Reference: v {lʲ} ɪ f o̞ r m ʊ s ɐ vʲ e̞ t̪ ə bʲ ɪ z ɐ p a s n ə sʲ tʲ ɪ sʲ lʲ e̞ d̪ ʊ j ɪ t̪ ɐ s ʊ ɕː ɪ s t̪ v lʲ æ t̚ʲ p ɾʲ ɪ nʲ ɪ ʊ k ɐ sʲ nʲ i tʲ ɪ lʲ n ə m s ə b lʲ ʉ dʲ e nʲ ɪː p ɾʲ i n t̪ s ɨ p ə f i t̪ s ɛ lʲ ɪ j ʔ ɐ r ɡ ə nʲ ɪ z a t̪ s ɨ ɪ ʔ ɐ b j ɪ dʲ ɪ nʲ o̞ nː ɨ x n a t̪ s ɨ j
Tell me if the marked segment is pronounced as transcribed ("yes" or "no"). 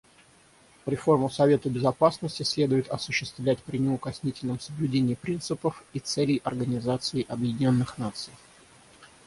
no